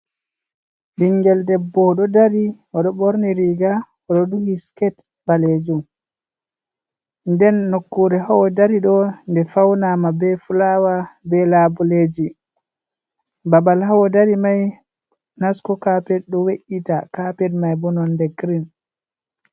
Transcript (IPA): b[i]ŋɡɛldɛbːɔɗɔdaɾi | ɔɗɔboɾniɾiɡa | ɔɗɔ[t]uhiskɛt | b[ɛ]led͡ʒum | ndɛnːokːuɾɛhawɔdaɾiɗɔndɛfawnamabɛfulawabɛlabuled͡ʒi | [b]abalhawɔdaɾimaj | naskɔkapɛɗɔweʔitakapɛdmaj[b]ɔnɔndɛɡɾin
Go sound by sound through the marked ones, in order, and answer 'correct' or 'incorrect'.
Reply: correct, incorrect, incorrect, correct, correct

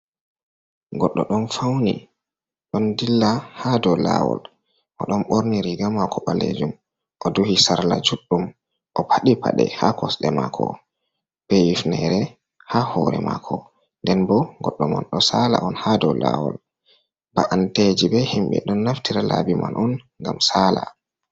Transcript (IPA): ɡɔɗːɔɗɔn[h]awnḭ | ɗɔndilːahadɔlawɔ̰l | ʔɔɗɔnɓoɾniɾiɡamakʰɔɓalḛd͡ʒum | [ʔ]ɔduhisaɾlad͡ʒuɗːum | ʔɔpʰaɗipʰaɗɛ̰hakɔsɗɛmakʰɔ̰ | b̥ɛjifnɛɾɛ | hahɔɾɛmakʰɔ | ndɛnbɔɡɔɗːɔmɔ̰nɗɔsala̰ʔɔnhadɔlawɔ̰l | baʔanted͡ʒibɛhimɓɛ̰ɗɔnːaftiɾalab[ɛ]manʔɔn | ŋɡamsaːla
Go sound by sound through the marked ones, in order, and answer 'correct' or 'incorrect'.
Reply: incorrect, correct, incorrect

